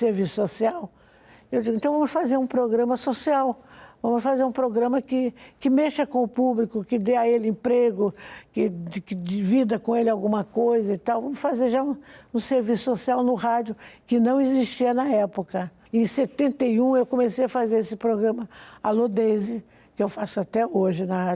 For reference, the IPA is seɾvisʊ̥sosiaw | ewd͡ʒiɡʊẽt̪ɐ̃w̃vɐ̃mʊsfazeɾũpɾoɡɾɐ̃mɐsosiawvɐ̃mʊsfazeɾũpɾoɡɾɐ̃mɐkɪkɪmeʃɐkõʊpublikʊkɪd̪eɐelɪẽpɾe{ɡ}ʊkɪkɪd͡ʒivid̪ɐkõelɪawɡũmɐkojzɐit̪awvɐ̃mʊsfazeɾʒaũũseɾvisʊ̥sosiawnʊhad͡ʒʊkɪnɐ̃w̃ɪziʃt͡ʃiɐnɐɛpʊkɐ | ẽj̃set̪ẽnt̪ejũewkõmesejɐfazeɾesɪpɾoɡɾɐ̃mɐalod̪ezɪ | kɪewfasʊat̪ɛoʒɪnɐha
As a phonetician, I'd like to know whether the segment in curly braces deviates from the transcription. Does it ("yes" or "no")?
no